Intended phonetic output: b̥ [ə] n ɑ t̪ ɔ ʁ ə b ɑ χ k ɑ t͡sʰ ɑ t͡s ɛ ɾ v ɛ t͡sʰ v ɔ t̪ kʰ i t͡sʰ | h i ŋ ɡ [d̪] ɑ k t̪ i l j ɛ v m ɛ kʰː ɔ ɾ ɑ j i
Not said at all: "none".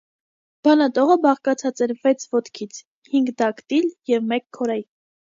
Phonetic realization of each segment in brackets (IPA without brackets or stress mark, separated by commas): ɑ, d̪